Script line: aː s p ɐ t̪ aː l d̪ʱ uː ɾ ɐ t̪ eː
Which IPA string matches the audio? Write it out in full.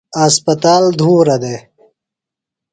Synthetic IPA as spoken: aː s p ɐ t̪ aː l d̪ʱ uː ɾ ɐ d̪ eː